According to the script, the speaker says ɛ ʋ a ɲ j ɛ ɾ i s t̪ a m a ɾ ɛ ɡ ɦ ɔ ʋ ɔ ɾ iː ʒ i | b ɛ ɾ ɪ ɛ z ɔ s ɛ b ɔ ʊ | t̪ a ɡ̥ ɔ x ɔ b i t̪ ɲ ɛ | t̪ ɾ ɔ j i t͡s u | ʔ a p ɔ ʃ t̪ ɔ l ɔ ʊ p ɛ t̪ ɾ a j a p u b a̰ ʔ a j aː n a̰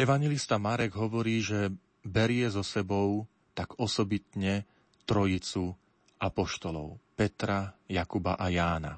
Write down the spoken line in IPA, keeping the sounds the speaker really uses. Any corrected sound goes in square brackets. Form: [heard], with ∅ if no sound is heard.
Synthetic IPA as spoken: ɛ ʋ a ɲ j ɛ [l] i s t̪ a m a ɾ ɛ ɡ ɦ ɔ ʋ ɔ ɾ iː ʒ [ɛ] | b ɛ ɾ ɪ ɛ z ɔ s ɛ b ɔ ʊ | t̪ a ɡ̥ ɔ [s] ɔ b i t̪ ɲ ɛ | t̪ ɾ ɔ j i t͡s u | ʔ a p ɔ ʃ t̪ ɔ l ɔ ʊ p ɛ t̪ ɾ a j a [k] u b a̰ ʔ a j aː n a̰